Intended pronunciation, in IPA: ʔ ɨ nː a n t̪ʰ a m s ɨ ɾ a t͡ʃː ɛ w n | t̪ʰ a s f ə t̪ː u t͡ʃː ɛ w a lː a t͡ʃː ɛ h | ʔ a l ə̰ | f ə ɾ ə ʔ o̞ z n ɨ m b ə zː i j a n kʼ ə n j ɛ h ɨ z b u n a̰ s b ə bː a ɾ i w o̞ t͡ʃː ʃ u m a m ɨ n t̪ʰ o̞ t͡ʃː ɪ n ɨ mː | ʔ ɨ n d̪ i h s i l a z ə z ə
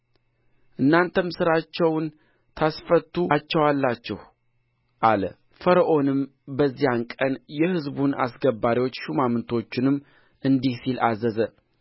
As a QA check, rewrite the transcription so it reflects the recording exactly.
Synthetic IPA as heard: ʔ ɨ nː a n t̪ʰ ə m s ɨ ɾ a t͡ʃː ɛ w n | t̪ʰ a s f ə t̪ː u t͡ʃː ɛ w a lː a t͡ʃː ɛ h | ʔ a l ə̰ | f ə ɾ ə ʔ o̞ n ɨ m b ə zː i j a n kʼ ə n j ɛ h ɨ z b u n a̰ s ɡ ə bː a ɾ i w o̞ t͡ʃː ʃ u m a m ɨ n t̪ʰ o̞ t͡ʃː ɪ n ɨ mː | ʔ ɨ n d̪ i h s i l a z ə z ə